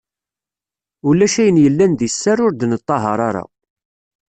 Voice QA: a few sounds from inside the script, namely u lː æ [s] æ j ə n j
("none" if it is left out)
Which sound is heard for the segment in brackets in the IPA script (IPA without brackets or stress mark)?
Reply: ʃ